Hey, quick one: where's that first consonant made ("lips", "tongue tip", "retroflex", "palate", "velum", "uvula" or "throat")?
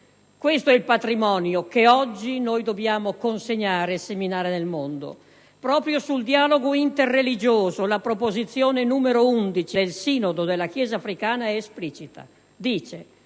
velum